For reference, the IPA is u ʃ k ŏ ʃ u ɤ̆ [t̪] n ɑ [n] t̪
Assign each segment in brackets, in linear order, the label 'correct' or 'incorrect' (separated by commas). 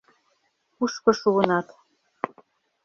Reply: incorrect, incorrect